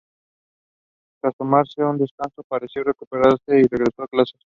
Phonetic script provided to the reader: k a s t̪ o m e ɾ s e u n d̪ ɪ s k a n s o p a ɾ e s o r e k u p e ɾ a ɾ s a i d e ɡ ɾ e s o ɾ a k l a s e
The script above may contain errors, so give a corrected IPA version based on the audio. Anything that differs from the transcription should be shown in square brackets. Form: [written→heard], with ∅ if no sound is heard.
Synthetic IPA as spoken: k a s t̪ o m [e→a] ɾ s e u n d̪ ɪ s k a n s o p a ɾ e s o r e k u p e ɾ a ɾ s [a→e] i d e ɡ ɾ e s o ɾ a k l a s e